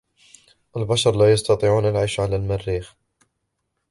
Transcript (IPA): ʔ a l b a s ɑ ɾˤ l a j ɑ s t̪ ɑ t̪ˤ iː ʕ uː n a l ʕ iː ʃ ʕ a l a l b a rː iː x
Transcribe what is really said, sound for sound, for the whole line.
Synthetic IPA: ʔ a l b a ʃ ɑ ɾˤ l a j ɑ s t̪ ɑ t̪ˤ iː ʕ uː n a l ʕ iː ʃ ʕ a l a l m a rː iː x